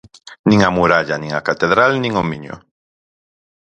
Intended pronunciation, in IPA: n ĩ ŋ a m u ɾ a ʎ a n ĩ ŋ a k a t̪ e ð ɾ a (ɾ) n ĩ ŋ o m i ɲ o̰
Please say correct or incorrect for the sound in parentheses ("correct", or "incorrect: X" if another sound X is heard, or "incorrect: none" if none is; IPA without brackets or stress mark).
incorrect: l